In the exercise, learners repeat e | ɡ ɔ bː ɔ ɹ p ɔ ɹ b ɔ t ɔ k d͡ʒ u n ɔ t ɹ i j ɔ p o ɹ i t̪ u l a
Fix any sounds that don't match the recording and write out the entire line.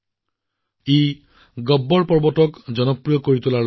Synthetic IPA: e | ɡ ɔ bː ɔ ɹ p ɔ ɹ b ɔ t ɔ k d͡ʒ ɔ n ɔ p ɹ i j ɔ k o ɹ i t̪ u l a